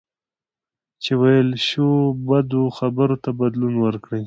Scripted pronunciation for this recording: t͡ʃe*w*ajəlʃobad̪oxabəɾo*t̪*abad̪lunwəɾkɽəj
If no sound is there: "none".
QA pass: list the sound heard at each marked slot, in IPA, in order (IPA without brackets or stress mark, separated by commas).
w, t̪